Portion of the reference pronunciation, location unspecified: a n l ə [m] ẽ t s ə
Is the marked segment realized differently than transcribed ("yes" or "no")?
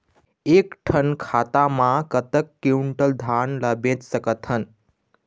yes